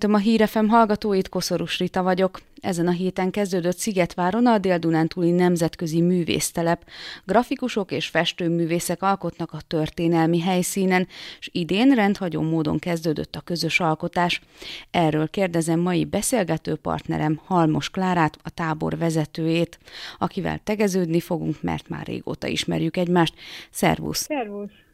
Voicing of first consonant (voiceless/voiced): voiceless